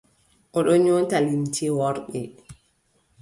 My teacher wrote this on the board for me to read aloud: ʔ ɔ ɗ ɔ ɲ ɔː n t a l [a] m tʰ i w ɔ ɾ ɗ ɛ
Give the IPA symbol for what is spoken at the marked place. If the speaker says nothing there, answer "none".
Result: i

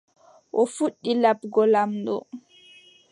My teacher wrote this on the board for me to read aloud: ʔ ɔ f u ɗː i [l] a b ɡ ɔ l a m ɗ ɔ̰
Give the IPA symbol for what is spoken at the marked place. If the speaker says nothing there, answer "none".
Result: l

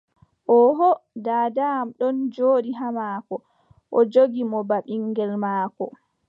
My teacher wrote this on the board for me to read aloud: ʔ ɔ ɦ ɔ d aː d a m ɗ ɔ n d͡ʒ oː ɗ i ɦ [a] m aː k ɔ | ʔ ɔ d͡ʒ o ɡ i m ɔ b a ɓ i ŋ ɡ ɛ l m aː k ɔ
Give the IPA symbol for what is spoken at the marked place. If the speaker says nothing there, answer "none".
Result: a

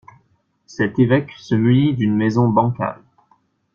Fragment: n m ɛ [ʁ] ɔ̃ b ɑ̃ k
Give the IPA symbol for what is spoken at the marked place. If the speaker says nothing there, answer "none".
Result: z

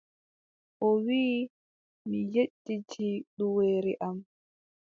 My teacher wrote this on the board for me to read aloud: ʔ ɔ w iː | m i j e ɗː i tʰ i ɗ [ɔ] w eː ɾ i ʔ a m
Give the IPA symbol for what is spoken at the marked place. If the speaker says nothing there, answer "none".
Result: u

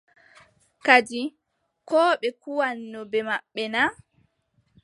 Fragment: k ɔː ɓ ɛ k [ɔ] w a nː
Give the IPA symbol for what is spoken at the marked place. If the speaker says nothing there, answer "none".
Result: u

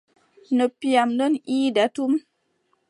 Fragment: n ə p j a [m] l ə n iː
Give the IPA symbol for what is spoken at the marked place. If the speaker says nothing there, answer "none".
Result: m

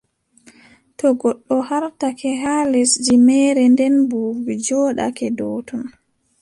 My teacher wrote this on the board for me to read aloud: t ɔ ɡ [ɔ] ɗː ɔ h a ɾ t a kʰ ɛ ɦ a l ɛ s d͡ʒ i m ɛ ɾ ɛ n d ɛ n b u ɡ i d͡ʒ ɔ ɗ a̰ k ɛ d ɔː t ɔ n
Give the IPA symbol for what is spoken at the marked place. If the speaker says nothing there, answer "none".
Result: ɔ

